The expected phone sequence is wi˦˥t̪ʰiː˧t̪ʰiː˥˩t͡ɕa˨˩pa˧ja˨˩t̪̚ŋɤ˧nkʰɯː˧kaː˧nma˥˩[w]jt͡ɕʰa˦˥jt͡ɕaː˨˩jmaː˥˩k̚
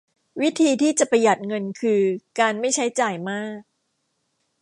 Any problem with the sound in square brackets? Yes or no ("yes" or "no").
yes